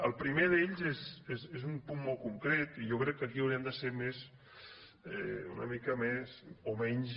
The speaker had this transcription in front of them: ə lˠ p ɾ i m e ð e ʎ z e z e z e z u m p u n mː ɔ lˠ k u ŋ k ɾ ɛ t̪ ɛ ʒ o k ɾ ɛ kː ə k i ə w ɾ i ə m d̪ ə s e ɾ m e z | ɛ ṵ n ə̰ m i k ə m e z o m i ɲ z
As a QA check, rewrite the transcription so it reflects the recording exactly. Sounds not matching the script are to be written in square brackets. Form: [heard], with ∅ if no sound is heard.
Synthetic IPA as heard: ə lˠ p ɾ i m e ð e ʎ z e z e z e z u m p u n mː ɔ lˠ k u ŋ k ɾ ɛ t̪ [i] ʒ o k ɾ ɛ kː ə k i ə w ɾ i ə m d̪ ə s e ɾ m e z | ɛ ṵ n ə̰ m i k ə m e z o m [ɛ] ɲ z

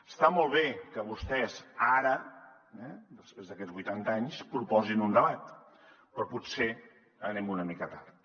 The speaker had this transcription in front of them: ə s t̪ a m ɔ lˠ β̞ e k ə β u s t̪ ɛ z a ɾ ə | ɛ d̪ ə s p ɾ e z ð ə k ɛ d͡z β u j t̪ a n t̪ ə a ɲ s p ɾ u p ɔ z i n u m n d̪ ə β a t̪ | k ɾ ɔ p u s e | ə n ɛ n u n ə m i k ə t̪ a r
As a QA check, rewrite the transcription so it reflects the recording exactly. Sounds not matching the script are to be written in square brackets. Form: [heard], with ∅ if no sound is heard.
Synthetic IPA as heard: ə s t̪ a m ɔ lˠ β̞ e k ə β u s t̪ ɛ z a ɾ ə | ɛ d̪ ə s p ɾ e z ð ə k ɛ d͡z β u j t̪ a n t̪ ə a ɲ s p ɾ u p ɔ z i n u [∅] n d̪ ə β a t̪ | [p] ɾ ɔ p u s e | ə n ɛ [m] u n ə m i k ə t̪ a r

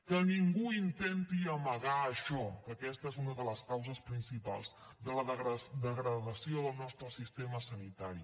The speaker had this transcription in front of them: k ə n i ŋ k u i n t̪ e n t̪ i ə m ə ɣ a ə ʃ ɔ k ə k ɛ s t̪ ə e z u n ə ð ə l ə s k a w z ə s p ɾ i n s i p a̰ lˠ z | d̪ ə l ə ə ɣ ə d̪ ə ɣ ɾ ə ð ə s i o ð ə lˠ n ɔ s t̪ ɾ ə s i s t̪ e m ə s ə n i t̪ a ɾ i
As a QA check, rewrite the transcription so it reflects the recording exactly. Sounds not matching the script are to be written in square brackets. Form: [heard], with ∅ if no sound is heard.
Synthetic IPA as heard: k ə n i ŋ [ɡ] u i n t̪ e n t̪ i ə m ə ɣ a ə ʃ ɔ k ə k ɛ s t̪ ə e z u n ə ð ə l ə s k a w z ə s p ɾ i n s i p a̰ lˠ z | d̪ ə l ə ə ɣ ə d̪ ə ɣ ɾ ə ð ə s i o ð ə lˠ n ɔ s t̪ ɾ ə s i s t̪ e m ə s ə n i t̪ a ɾ i

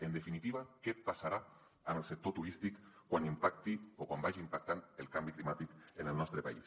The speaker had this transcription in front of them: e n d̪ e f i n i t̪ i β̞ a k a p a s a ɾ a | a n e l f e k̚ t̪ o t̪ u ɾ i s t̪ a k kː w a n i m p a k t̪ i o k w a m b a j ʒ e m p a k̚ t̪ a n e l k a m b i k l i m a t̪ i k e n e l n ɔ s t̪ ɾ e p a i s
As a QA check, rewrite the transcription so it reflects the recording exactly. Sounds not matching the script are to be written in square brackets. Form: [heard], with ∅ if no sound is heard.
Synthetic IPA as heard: e n d̪ e f i n i t̪ i β̞ a k [e] p a s a ɾ a | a n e l [s] e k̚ t̪ o t̪ u ɾ i s t̪ [i] k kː w a n i m p a k t̪ i o k w a m b a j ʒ [i] m p a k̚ t̪ a n e l k a m b i k l i m a t̪ i k e n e l n ɔ s t̪ ɾ e p a i s

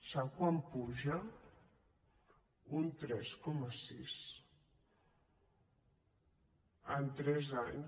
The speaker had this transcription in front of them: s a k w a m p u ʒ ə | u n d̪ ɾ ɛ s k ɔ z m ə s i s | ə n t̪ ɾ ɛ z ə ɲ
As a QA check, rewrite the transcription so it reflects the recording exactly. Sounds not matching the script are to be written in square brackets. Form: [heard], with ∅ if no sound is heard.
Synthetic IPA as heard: s a k w a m p u ʒ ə | u n [t̪] ɾ ɛ s k ɔ [∅] m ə s i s | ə n t̪ ɾ ɛ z [a] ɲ

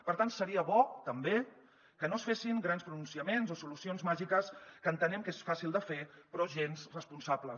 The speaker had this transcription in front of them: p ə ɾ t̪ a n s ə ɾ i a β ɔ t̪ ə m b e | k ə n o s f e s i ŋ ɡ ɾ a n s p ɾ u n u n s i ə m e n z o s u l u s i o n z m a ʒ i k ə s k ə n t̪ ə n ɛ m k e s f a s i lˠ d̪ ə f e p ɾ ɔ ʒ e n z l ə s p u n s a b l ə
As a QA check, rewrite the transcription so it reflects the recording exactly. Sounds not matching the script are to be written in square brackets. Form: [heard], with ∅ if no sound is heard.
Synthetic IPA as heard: p ə ɾ t̪ a n s ə ɾ i [ə] β ɔ t̪ ə m b e | k ə n o s f e s i ŋ ɡ ɾ a n s p ɾ u n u n s i ə m e n z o s u l u s i o n z m a ʒ i k ə s k ə n t̪ ə n ɛ m k e s f a s i lˠ d̪ ə f e p ɾ ɔ ʒ e n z [r] ə s p u n s a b l ə

